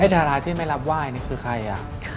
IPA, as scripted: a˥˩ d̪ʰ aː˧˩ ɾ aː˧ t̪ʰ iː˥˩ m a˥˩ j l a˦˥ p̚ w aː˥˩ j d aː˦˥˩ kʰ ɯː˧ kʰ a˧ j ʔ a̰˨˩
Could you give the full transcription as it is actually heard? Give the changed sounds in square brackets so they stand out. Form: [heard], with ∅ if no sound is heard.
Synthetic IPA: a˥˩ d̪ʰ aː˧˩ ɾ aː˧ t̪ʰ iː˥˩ m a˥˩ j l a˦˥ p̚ w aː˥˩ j [n] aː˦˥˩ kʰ ɯː˧ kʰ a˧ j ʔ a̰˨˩